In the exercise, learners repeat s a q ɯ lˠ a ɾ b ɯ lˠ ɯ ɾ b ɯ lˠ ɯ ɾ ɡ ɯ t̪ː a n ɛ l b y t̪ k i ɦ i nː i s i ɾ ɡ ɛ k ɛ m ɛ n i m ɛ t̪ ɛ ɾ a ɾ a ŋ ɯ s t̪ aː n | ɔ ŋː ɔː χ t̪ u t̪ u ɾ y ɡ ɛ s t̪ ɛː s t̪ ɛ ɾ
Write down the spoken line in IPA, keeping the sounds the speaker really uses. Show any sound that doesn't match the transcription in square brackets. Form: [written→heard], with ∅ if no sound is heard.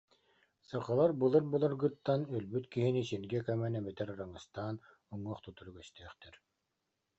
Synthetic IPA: s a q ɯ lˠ a ɾ b ɯ lˠ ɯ ɾ b ɯ lˠ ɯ ɾ ɡ ɯ t̪ː a n [ɛ→œ] l b y t̪ k i ɦ i [nː→n] i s i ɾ ɡ ɛ k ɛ m ɛ n [i→ɛ] m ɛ t̪ ɛ ɾ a ɾ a ŋ ɯ s t̪ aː n | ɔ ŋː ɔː χ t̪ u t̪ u ɾ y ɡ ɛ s t̪ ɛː [s→χ] t̪ ɛ ɾ